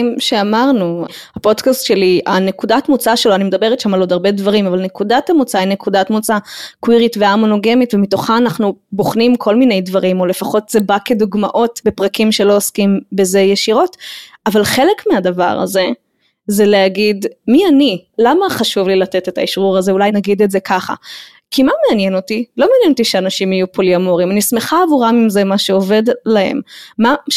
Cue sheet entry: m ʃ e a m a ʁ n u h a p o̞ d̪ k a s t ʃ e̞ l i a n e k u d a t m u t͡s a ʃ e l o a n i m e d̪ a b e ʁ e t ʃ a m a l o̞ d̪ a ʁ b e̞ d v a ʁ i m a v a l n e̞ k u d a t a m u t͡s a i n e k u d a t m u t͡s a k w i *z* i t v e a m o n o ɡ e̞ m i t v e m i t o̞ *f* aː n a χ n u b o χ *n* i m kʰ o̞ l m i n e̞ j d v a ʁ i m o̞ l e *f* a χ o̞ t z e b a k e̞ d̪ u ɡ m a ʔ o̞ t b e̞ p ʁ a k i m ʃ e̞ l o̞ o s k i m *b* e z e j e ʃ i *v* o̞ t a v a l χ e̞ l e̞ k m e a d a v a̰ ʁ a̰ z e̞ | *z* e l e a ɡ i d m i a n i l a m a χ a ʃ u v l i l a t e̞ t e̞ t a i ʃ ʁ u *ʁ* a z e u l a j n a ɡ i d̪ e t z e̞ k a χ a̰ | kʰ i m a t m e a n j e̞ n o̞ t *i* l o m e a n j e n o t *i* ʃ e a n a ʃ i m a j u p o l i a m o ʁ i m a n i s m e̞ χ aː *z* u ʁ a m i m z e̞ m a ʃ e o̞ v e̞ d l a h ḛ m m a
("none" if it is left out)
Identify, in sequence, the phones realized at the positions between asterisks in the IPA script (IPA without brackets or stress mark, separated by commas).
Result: ʁ, χ, n, f, b, ʁ, z, ʁ, i, i, v